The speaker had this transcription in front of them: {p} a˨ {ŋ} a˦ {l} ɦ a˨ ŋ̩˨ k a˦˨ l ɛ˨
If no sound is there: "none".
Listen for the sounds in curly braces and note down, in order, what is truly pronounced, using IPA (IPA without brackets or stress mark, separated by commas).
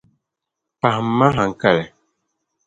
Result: p, m, none